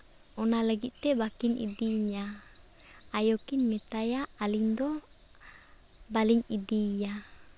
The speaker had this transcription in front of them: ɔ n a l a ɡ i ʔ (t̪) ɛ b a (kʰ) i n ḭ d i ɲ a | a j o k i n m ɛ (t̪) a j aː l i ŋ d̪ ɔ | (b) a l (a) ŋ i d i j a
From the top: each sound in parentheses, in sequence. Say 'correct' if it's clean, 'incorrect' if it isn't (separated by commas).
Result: correct, incorrect, correct, correct, incorrect